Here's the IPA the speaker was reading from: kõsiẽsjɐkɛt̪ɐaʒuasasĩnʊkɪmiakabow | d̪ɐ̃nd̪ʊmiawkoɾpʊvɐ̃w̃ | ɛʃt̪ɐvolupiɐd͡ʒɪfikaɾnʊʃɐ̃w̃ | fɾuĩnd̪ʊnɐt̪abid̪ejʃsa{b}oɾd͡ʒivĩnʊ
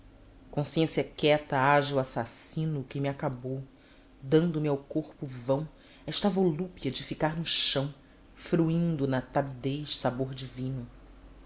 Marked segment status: correct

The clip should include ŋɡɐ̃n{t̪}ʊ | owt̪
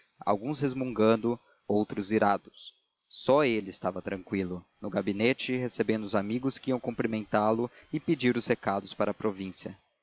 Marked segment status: incorrect: d̪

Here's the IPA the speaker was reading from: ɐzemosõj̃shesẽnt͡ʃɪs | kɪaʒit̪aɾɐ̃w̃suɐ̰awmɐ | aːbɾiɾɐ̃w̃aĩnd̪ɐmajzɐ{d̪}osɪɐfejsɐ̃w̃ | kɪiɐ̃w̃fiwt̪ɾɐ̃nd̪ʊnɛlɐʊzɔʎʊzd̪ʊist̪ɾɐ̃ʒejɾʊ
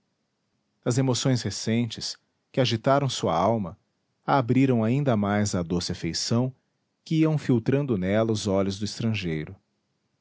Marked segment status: correct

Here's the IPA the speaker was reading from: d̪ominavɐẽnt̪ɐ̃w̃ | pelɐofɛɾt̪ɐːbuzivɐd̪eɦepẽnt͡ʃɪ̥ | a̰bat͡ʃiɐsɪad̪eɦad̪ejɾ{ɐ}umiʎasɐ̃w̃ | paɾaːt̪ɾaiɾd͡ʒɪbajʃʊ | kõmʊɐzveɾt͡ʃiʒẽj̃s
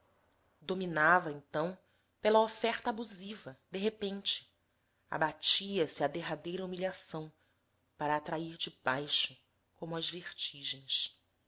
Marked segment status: correct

